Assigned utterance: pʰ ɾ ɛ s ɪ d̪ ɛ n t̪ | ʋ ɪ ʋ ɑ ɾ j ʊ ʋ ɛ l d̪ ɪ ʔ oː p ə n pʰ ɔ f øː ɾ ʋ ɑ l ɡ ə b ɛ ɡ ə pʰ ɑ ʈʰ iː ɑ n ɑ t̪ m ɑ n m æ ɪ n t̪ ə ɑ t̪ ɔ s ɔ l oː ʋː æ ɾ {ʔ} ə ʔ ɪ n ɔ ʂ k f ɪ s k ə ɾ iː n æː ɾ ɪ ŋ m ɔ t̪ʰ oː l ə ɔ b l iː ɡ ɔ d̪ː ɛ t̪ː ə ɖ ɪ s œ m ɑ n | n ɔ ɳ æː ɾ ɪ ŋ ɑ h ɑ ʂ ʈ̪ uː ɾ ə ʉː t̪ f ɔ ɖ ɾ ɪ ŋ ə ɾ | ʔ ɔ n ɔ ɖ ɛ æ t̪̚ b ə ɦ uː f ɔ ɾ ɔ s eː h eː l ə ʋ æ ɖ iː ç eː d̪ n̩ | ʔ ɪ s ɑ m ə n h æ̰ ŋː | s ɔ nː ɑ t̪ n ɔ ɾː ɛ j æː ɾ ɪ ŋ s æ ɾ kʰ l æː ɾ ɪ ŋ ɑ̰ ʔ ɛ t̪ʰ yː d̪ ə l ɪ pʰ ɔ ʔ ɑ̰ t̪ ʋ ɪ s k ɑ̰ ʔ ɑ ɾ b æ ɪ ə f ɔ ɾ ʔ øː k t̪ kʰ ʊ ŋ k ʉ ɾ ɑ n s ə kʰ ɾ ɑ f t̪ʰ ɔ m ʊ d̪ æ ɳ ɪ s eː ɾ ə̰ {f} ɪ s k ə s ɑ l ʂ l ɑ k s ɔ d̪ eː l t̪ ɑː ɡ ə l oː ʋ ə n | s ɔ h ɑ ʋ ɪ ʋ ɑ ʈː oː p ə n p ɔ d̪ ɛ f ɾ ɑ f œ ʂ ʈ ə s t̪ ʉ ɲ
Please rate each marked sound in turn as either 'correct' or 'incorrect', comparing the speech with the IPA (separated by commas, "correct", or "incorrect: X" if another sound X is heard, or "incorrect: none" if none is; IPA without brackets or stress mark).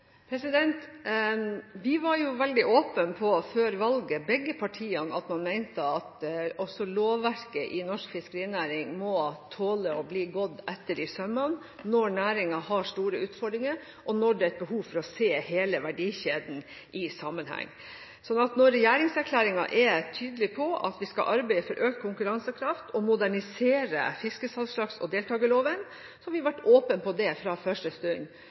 incorrect: k, correct